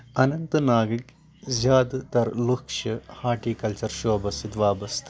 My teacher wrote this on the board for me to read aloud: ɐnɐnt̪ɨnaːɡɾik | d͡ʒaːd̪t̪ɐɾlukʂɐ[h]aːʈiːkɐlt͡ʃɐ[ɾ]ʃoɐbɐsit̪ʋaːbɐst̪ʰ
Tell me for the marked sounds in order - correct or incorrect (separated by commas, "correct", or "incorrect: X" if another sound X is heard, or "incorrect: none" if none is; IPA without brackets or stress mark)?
correct, correct